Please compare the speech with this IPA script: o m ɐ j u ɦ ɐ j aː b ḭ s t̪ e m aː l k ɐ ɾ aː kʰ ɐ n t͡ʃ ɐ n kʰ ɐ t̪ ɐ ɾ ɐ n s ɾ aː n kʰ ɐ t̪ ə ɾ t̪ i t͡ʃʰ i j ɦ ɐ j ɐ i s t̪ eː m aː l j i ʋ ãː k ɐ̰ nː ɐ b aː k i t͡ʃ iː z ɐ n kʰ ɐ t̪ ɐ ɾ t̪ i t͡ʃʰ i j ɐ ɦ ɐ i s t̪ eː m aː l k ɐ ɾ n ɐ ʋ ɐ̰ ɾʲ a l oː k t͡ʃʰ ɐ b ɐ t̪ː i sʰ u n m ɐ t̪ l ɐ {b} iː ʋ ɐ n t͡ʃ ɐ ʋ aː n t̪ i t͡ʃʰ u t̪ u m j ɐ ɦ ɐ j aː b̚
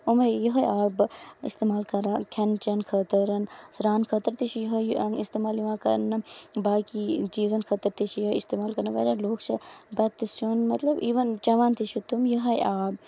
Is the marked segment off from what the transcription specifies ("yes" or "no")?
no